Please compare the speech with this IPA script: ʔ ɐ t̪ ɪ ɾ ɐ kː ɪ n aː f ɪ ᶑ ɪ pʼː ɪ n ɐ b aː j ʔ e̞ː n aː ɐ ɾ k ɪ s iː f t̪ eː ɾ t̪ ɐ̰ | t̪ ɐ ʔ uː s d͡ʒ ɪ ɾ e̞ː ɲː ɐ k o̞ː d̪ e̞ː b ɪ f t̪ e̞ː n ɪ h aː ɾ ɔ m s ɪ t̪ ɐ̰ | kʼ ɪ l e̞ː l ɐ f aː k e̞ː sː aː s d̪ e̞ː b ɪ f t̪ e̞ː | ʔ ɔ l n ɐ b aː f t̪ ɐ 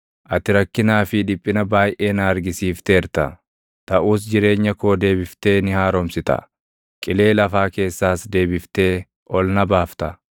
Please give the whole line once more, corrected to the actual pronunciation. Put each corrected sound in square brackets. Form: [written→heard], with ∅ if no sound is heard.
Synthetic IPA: ʔ ɐ t̪ ɪ ɾ ɐ kː ɪ n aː f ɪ ᶑ ɪ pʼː ɪ n ɐ b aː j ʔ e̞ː n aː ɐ ɾ [k→ɡ] ɪ s iː f t̪ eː ɾ t̪ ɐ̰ | t̪ ɐ ʔ uː s d͡ʒ ɪ ɾ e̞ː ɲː ɐ k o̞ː d̪ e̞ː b ɪ f t̪ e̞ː n ɪ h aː ɾ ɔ m s ɪ t̪ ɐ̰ | kʼ ɪ l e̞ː l ɐ f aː k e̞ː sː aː s d̪ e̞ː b ɪ f t̪ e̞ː | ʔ ɔ l n ɐ b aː f t̪ ɐ